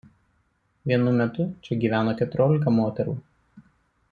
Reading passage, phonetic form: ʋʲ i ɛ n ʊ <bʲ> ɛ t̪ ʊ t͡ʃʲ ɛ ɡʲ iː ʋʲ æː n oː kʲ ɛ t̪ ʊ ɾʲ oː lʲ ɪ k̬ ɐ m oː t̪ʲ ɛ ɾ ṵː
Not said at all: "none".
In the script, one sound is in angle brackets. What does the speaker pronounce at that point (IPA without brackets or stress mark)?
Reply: mʲ